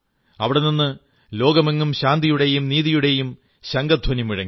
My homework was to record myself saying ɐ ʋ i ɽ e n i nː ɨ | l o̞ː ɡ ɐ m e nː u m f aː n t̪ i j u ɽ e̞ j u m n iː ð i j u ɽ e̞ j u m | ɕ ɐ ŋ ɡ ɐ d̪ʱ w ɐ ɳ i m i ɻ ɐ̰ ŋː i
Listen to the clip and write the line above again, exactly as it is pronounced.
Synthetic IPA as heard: ɐ ʋ i ɽ e n i nː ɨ | l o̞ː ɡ ɐ m e ŋː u m ɕ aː n d̪ i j u ɽ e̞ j u m n iː ð i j u ɽ e̞ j u m | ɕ ɐ ŋ ɡ ɐ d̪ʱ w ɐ n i m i ɻ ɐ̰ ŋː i

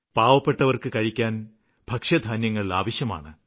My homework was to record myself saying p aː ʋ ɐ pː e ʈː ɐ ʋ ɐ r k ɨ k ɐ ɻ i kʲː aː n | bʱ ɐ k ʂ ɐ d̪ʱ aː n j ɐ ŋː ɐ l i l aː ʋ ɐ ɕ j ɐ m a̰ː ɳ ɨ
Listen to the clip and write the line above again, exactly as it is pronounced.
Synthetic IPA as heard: p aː ʋ ɐ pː e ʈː ɐ ʋ ɐ r k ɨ k ɐ ɻ i kʲː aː n | bʱ ɐ k ʂ ɐ d̪ʱ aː n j ɐ ŋː ɐ ɭ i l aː ʋ ɐ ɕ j ɐ m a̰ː ɳ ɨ

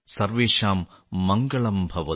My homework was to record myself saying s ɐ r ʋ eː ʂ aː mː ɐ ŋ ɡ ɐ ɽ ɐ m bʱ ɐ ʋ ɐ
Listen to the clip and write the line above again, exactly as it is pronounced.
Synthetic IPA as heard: s ɐ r ʋ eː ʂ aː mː ɐ ŋ ɡ ɐ ɭ ɐ m bʱ ɐ ʋ ɐ

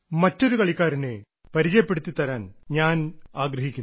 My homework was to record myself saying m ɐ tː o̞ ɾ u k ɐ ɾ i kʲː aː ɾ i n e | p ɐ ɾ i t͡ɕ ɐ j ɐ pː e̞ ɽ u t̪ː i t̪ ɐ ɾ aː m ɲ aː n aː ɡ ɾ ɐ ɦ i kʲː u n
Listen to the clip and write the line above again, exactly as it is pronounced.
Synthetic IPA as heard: m ɐ tː o̞ ɾ u k ɐ ɭ i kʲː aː ɾ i n e | p ɐ ɾ i t͡ɕ ɐ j ɐ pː e̞ ɽ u t̪ː i t̪ ɐ ɾ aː n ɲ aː n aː ɡ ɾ ɐ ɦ i kʲː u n

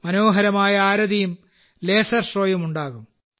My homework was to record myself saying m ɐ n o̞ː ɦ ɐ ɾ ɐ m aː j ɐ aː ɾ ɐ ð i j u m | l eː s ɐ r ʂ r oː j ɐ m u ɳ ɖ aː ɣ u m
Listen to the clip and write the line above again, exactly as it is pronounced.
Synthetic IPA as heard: m ɐ n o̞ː ɦ ɐ ɾ ɐ m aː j ɐ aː ɾ ɐ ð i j u m | l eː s ɐ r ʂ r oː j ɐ m u ɳ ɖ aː ɣ u m

